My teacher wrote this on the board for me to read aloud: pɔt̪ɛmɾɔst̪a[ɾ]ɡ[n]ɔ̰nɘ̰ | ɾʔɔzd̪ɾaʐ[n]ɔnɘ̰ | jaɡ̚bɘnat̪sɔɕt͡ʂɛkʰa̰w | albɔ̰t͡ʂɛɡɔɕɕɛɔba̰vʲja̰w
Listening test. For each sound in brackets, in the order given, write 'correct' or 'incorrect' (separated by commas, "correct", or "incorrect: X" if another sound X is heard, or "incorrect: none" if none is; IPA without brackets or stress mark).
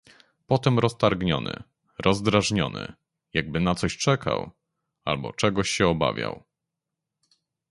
correct, incorrect: ɲ, incorrect: ɲ